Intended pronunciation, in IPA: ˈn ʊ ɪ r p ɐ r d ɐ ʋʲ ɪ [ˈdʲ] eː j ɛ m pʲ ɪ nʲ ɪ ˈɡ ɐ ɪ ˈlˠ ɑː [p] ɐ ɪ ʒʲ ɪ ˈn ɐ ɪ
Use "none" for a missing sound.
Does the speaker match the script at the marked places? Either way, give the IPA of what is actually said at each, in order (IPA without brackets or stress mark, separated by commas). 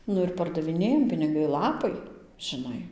nʲ, p